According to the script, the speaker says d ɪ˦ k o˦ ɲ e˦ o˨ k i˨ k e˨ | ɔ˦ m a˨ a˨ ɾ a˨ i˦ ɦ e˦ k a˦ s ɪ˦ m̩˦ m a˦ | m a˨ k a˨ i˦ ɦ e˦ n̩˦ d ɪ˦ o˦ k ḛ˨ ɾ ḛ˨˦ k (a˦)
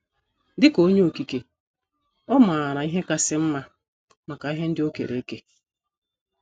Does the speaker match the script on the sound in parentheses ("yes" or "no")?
no